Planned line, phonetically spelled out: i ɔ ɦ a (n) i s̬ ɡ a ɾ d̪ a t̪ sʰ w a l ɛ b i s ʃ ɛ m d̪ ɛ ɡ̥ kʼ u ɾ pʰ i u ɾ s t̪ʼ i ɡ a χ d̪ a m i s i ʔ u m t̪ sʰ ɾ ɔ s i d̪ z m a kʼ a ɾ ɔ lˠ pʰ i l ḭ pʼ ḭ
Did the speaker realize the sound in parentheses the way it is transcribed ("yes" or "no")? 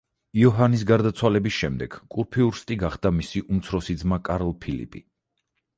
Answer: yes